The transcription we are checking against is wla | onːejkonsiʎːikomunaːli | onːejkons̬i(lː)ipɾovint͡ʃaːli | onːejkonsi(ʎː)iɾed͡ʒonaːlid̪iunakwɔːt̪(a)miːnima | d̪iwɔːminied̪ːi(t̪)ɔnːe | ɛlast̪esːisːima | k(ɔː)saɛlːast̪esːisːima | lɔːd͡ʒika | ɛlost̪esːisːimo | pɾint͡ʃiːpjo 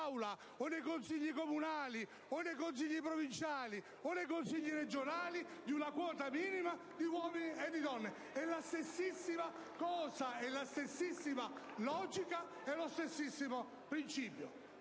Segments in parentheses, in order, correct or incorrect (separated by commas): incorrect, correct, correct, incorrect, correct